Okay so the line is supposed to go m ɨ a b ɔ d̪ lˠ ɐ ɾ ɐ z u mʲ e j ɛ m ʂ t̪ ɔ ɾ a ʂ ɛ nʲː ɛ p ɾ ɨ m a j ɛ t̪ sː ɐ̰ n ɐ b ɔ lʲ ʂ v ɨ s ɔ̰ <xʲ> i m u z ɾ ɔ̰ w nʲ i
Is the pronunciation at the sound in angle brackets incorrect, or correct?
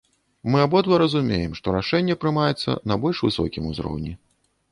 incorrect